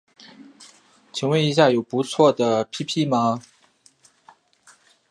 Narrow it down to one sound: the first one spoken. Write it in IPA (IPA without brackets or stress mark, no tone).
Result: t͡ɕʰ